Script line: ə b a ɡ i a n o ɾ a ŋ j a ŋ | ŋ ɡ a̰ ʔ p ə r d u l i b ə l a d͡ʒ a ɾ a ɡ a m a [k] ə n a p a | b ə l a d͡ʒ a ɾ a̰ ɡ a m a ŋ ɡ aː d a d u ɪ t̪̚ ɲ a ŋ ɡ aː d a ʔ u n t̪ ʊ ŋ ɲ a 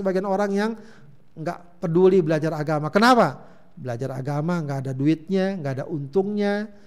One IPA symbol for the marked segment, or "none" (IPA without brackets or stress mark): k